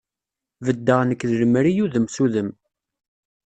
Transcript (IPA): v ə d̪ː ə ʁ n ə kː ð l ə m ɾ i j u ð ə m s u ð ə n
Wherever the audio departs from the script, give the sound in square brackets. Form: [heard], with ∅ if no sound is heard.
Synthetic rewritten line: v ə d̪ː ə ʁ n ə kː ð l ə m ɾ i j u ð ə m s u ð ə [m]